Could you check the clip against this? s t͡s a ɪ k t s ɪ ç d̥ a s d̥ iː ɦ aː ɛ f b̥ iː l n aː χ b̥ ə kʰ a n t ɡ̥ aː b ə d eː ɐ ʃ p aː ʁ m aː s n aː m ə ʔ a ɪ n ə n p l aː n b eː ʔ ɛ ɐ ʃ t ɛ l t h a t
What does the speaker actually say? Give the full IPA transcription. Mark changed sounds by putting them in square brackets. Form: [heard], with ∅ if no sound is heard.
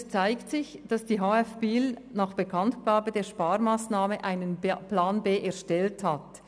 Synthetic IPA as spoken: s t͡s a ɪ k t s ɪ ç d̥ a s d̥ iː ɦ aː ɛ f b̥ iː l n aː χ b̥ ə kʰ a n t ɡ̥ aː b ə d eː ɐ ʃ p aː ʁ m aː s n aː m ə ʔ a ɪ n ə n p l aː n b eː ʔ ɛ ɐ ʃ t ɛ l t h a t